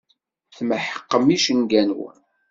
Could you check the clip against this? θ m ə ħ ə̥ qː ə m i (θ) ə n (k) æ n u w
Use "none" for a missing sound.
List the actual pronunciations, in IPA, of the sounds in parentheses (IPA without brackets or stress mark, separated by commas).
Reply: ʃ, ɡ